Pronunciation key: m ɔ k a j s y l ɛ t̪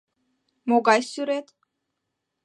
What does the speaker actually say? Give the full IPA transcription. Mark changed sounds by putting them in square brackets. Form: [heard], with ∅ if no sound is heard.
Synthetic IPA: m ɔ [ɡ] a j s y [ɾ] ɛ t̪